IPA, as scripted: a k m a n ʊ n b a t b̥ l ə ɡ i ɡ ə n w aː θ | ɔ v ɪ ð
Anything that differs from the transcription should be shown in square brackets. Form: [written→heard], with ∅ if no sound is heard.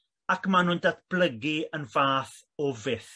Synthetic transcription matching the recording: a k m a n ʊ n [b→d] a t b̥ l ə ɡ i [ɡ→∅] ə n [w→v] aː θ | ɔ v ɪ [ð→θ]

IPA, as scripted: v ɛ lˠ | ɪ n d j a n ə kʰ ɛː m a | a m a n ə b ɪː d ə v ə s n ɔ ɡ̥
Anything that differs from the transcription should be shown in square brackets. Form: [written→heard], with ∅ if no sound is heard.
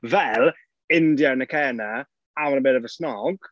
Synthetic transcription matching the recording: v ɛ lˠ | ɪ n d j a n ə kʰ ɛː [m→n] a | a m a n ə b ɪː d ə v ə s n ɔ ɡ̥

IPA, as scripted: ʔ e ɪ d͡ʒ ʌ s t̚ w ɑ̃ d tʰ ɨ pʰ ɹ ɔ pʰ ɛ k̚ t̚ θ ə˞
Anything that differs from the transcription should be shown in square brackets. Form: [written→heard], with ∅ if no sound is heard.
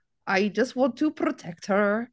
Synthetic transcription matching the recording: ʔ [e→a] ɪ d͡ʒ ʌ s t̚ w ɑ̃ [d→n] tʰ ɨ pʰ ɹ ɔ [pʰ→tʰ] ɛ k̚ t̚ [θ→h] ə˞

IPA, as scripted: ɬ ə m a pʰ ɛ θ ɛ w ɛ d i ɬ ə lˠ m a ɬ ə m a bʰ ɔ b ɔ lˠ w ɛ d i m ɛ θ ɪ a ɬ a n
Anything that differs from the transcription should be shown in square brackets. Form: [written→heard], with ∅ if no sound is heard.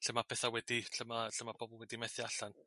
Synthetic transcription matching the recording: ɬ ə m a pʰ ɛ θ [ɛ→a] w ɛ d i ɬ ə [lˠ→∅] m a ɬ ə m a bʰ ɔ b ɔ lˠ w ɛ d i m ɛ θ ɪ a ɬ a n

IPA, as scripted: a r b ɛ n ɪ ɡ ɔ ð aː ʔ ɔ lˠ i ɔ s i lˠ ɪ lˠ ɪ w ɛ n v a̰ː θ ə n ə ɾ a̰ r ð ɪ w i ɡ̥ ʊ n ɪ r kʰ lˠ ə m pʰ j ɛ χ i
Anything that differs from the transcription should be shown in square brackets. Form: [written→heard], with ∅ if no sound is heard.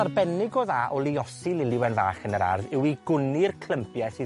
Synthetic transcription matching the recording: a r b ɛ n ɪ ɡ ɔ ð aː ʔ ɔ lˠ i ɔ s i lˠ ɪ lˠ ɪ w ɛ n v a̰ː [θ→χ] ə n ə ɾ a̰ r ð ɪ w i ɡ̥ ʊ n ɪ r kʰ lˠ ə m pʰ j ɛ [χ→s] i

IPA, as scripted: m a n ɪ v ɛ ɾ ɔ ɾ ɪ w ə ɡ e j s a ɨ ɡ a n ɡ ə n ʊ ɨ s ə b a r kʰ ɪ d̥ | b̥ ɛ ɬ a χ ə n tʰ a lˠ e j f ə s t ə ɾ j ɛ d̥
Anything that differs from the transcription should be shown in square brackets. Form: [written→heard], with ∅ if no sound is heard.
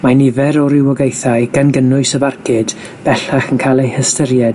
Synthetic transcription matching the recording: m a n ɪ v ɛ ɾ ɔ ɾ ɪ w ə ɡ e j [s→θ] a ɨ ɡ a n ɡ ə n ʊ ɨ s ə b a r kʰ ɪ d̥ | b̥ ɛ ɬ a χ ə n [tʰ→kʰ] a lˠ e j [f→h] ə s t ə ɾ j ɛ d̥

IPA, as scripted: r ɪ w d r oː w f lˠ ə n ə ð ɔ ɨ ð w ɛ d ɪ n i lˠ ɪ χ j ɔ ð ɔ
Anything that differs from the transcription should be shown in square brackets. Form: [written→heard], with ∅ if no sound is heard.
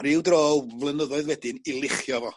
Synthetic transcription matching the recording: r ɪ w d r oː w [f→v] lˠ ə n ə ð ɔ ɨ ð w ɛ d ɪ n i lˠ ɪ χ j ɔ [ð→v] ɔ

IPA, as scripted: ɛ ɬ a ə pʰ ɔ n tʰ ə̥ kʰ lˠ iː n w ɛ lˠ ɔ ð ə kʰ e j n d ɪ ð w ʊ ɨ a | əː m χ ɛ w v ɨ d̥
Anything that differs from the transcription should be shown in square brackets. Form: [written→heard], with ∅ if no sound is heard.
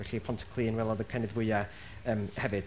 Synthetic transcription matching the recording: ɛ ɬ [a→i] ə pʰ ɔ n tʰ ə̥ kʰ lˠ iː n w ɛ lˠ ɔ ð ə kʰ [e→a] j n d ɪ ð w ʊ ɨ a | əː m [χ→h] ɛ [w→∅] v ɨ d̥

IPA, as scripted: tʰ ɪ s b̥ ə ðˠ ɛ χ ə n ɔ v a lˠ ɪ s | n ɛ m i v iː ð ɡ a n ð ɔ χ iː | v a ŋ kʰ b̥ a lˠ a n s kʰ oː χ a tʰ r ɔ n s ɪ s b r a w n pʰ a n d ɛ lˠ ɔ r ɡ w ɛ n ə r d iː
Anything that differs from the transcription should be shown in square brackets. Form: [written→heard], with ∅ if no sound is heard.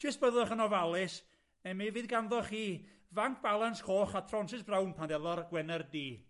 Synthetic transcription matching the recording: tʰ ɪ s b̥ ə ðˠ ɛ χ ə n ɔ v a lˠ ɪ s | n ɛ m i v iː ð ɡ a n ð ɔ χ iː | v a ŋ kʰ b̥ a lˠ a n s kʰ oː χ a tʰ r ɔ n s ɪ s b r a w n pʰ a n d ɛ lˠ ɔ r ɡ w ɛ n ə r d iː

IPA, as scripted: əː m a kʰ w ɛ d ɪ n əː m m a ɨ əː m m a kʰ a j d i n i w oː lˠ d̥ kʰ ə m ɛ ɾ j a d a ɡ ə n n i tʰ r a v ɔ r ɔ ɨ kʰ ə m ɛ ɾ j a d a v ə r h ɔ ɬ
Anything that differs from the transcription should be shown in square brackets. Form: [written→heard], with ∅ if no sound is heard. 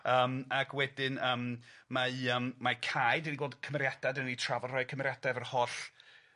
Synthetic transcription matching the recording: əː m a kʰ w ɛ d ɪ n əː m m a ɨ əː m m a kʰ a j d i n i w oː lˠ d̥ kʰ ə m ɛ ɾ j a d a [ɡ→d] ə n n i tʰ r a v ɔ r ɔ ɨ kʰ ə m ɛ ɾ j a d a v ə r h ɔ ɬ

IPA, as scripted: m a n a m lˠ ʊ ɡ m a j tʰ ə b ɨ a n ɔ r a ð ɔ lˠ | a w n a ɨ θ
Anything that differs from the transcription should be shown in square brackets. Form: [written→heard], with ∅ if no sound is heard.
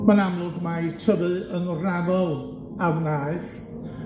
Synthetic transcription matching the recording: m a n a m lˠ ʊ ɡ m a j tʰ ə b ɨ [a→ə] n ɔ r a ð ɔ lˠ | a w n a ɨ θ

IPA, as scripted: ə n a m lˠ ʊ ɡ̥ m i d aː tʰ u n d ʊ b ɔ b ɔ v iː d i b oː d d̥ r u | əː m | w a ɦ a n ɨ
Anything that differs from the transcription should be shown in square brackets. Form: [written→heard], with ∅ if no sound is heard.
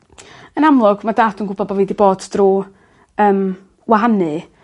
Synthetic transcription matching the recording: ə n a m lˠ ʊ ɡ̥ m [i→a] d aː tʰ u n [d→ɡ] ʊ b ɔ b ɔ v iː d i b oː d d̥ r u | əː m | w a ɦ a n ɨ

